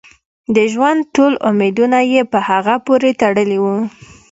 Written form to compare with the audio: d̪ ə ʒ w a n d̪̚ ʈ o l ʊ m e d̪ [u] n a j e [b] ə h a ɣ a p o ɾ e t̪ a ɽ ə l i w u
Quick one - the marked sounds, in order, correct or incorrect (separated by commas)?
correct, incorrect